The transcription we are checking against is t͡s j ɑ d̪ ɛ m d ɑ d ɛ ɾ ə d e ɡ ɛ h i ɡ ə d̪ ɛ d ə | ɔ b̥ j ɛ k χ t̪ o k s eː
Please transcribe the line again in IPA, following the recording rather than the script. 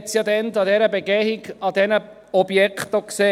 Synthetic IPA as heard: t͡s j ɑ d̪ ɛ n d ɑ d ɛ ɾ ə b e ɡ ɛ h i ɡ ɑ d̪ ɛ n ə | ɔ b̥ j ɛ k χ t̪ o k s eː